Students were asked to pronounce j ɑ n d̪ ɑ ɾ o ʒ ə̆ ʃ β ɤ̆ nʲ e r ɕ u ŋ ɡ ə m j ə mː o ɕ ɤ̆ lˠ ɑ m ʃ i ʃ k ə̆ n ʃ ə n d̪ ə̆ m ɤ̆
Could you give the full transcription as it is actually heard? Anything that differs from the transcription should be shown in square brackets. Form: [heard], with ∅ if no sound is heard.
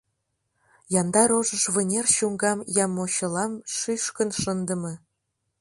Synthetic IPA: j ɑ n d̪ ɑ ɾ o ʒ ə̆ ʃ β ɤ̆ nʲ e r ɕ u ŋ ɡ [ɑ] m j [ɑ] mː o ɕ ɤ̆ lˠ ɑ m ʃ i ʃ k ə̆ n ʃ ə n d̪ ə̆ m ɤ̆